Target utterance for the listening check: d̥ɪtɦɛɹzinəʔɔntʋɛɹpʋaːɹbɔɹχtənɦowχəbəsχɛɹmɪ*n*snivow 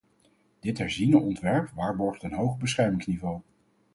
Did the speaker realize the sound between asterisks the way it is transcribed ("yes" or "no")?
no